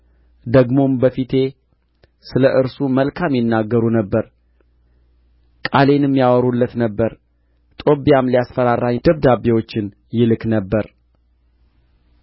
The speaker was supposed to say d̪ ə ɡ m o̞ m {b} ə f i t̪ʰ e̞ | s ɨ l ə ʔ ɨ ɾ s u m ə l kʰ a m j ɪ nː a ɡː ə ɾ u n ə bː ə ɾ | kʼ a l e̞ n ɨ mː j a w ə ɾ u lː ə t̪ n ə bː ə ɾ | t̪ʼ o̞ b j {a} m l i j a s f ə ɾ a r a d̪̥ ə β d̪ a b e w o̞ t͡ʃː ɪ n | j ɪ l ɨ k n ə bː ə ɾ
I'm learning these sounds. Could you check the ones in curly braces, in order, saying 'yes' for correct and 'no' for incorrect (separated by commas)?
yes, yes